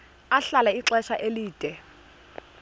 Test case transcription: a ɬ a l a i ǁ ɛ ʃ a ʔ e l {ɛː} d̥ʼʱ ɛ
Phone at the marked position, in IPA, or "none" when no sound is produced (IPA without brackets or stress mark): iː